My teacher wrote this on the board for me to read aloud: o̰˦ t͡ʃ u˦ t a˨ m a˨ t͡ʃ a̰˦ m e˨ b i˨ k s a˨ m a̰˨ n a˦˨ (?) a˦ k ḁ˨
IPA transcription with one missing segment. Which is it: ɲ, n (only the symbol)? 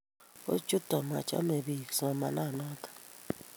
n